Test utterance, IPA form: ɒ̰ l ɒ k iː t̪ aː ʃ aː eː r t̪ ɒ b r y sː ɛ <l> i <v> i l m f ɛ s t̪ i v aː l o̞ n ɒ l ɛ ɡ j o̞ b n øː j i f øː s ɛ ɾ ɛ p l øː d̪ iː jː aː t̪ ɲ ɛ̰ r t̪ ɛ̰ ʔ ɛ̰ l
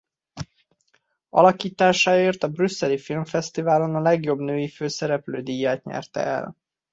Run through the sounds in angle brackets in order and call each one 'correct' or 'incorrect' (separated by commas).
correct, incorrect